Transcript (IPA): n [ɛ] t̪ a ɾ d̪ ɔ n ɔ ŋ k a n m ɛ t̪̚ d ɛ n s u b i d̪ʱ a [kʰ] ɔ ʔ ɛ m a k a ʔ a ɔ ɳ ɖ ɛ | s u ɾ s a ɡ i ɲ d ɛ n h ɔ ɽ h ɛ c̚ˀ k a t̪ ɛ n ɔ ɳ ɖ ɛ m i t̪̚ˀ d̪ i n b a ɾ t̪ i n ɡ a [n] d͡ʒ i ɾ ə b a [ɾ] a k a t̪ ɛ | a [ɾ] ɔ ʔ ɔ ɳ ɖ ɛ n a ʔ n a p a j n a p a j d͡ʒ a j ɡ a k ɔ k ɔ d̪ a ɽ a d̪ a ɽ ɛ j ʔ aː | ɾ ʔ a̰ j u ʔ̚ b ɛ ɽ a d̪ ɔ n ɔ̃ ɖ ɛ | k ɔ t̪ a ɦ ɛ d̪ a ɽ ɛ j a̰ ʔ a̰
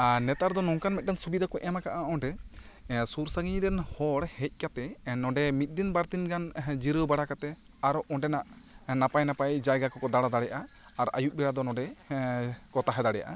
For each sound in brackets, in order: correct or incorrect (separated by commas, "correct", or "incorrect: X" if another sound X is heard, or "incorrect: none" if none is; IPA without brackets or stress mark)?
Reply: correct, incorrect: k, correct, incorrect: ɽ, correct